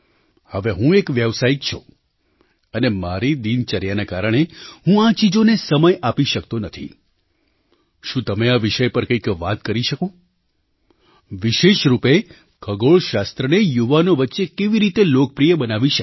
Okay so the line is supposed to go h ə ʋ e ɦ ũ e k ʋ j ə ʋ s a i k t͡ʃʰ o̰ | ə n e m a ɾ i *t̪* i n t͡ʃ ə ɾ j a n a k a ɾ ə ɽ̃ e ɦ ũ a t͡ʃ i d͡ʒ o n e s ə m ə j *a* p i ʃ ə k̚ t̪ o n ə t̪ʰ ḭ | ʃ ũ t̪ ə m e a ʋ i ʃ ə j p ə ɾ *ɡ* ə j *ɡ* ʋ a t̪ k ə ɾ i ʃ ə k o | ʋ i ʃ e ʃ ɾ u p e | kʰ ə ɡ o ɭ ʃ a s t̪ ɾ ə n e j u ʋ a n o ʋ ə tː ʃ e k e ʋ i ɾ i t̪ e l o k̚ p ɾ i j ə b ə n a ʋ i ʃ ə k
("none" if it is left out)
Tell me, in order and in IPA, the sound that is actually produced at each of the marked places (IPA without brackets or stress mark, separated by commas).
d̪, a, k, k